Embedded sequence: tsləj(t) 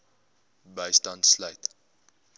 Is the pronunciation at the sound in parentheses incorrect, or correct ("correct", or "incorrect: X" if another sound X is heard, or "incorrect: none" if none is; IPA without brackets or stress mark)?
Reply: correct